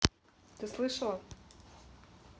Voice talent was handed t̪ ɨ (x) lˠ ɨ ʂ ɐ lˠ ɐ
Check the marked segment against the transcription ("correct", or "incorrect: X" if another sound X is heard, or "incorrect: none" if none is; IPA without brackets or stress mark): incorrect: s